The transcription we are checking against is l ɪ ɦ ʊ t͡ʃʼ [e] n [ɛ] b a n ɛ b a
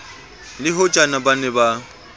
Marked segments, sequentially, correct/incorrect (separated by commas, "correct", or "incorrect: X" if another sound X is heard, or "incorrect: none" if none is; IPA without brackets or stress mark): incorrect: a, incorrect: a